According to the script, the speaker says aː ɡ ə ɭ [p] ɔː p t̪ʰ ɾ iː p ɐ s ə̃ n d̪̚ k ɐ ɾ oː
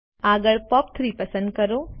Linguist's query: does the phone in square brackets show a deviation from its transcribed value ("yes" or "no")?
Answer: no